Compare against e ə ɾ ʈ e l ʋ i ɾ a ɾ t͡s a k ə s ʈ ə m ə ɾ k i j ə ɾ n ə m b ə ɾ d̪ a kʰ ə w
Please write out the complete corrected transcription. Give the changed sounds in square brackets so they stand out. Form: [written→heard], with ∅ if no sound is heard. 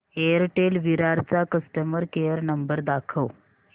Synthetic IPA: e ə ɾ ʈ e l ʋ i ɾ a ɾ t͡s a k ə s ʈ ə m ə ɾ k [i→e] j ə ɾ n ə m b ə ɾ d̪ a kʰ ə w